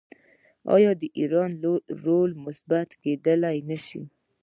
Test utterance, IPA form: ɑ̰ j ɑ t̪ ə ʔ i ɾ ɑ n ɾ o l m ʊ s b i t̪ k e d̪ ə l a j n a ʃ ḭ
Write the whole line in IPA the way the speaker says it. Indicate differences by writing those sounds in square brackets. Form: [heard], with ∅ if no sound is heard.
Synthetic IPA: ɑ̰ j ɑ [d̪] ə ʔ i ɾ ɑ n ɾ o l m ʊ s b [a] t̪ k e d̪ ə l a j n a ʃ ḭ